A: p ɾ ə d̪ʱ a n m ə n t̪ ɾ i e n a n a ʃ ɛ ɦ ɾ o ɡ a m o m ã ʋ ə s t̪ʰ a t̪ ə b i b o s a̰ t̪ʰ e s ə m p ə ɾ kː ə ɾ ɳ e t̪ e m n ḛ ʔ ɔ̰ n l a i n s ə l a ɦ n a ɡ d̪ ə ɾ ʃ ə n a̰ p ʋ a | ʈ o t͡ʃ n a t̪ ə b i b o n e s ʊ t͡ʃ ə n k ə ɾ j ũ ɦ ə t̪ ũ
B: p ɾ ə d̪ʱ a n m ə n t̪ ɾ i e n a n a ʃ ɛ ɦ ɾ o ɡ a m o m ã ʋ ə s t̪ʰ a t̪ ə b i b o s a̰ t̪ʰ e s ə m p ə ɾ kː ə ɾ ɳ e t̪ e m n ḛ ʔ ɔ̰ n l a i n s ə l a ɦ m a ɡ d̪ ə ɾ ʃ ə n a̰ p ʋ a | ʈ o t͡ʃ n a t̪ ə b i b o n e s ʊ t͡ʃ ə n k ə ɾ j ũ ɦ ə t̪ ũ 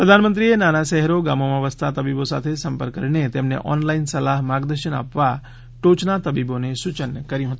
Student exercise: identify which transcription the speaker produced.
B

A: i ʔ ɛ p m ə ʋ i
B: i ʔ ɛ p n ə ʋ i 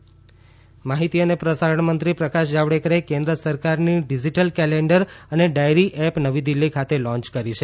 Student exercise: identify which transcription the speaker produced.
B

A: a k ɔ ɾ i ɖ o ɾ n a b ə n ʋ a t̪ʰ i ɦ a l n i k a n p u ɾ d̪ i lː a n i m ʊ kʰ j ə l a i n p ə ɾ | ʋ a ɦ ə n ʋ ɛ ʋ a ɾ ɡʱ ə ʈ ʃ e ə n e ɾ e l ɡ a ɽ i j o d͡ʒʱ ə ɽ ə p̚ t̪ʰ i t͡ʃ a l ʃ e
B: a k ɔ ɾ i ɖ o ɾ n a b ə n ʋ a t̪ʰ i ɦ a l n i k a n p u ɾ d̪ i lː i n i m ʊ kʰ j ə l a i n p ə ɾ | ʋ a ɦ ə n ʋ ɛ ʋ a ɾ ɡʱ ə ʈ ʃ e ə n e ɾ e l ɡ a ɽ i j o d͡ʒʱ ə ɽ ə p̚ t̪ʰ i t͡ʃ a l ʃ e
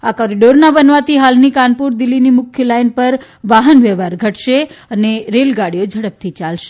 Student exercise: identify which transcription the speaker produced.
B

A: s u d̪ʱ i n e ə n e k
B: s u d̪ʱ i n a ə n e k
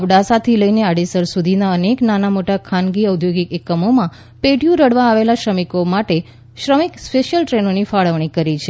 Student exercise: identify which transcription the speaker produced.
B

